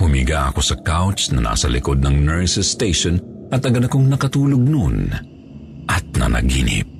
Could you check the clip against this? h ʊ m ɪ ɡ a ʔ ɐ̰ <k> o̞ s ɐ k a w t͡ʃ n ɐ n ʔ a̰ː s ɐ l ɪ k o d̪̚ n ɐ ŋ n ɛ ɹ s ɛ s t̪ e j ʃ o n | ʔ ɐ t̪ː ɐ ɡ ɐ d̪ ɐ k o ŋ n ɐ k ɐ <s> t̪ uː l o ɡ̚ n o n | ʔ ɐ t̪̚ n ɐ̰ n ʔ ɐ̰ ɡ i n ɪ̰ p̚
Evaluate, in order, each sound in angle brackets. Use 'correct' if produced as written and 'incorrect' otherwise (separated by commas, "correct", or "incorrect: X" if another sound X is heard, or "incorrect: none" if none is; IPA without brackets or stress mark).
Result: correct, incorrect: none